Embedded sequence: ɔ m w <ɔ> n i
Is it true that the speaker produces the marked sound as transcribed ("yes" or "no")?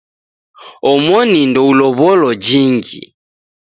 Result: yes